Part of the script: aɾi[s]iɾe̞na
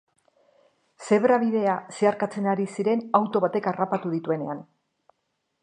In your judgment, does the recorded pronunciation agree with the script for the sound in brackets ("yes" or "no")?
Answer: yes